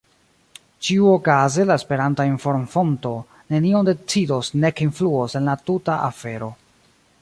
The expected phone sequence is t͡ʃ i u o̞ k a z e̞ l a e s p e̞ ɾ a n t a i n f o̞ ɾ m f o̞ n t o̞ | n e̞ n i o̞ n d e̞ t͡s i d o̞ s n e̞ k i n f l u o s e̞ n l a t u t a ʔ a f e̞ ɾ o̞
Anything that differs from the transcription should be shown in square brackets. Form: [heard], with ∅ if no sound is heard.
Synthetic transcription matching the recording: t͡ʃ i u o̞ k a z e̞ l a e s p e̞ ɾ a n t a i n f o̞ ɾ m f o̞ n t o̞ | n e̞ n i o̞ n d e̞ t͡s i d o̞ s n e̞ k i n f l u o s e̞ n l a t u t a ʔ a f e̞ ɾ o̞